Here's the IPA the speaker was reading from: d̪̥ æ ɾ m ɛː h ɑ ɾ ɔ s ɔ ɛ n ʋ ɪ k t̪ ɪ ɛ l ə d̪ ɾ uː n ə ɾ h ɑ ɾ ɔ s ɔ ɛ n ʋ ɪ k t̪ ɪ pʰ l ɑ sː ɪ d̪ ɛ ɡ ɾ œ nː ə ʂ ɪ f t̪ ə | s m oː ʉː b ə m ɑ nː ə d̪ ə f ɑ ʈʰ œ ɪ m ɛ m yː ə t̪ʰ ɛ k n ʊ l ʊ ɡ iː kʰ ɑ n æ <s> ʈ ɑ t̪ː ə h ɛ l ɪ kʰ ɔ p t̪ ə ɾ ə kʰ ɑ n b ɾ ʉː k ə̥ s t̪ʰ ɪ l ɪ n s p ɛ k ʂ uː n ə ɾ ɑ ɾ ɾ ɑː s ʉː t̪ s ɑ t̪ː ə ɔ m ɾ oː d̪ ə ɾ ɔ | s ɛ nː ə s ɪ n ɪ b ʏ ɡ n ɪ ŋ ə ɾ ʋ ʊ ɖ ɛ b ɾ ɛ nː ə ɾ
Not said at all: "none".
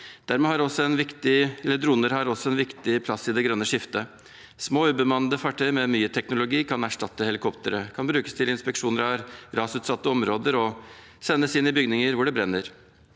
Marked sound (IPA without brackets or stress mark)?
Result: ʂ